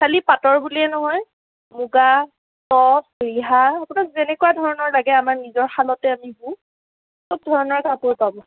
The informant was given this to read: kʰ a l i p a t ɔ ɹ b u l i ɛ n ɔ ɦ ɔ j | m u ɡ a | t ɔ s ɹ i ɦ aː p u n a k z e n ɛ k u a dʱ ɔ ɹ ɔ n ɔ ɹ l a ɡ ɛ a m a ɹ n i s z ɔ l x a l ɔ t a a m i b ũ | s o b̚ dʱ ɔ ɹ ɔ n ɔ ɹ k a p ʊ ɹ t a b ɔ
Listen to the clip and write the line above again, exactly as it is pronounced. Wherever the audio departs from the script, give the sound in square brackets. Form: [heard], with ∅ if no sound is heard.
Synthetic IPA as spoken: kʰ a l i p a t ɔ ɹ b u l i ɛ n ɔ ɦ ɔ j | m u ɡ a | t ɔ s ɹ i ɦ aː p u n a k z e n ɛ k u a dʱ ɔ ɹ ɔ n ɔ ɹ l a ɡ ɛ a m a ɹ n i [∅] z ɔ [ɹ] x a l ɔ t [ɛ] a m i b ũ | s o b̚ dʱ ɔ ɹ ɔ n ɔ ɹ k a p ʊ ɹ [p] a b ɔ